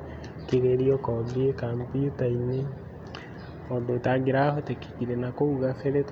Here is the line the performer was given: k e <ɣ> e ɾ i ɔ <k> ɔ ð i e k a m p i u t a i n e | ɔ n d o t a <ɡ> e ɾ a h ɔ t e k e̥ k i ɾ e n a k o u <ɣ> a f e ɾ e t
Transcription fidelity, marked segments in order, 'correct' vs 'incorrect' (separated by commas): correct, correct, correct, correct